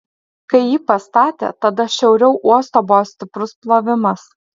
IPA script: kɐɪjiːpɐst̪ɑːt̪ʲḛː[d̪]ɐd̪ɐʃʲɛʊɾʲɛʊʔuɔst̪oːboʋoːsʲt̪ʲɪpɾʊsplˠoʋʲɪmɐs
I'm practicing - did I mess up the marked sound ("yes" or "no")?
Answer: yes